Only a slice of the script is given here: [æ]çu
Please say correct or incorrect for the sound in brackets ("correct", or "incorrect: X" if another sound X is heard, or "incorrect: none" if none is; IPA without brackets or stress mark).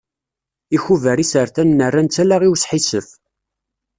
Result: incorrect: i